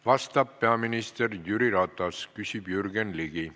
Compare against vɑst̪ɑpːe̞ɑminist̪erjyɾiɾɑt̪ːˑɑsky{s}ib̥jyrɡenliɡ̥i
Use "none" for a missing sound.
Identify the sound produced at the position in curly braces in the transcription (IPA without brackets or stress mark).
s